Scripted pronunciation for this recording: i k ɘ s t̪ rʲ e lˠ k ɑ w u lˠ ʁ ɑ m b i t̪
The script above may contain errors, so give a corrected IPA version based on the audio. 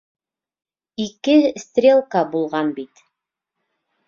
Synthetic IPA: i k ɘ s t̪ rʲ e lˠ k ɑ b u lˠ ʁ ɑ n b i t̪